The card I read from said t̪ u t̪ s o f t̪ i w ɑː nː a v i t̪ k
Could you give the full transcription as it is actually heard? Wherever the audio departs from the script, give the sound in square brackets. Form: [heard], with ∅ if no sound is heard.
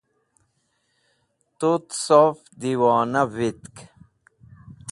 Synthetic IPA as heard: t̪ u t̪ s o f [d̪] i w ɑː [n] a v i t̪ k